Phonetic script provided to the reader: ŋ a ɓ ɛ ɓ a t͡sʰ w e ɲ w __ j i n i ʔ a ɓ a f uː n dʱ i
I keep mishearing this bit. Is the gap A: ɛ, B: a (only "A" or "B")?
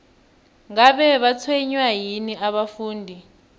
B